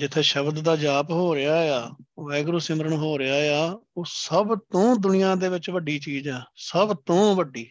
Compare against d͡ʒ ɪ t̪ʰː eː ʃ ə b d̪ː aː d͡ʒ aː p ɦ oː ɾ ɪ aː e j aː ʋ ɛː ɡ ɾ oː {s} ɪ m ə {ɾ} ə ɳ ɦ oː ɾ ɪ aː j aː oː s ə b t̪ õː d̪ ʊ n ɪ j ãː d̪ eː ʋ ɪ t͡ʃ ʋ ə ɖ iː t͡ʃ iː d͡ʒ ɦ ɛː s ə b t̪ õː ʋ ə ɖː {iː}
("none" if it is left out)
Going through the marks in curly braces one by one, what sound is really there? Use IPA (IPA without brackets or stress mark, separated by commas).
s, ɾ, iː